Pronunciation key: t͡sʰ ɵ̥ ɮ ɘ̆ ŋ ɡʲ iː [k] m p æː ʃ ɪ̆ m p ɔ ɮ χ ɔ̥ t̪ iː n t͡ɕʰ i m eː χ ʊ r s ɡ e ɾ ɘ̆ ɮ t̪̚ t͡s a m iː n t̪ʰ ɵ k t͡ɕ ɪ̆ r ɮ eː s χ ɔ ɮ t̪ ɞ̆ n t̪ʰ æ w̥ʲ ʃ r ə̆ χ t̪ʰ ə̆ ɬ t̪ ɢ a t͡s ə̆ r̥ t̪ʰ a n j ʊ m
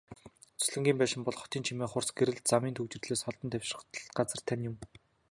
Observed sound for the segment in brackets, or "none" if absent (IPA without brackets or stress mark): none